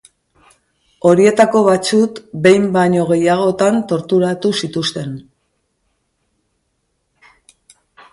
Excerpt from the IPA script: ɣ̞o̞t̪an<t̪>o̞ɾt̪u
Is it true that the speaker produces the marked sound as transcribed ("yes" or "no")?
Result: yes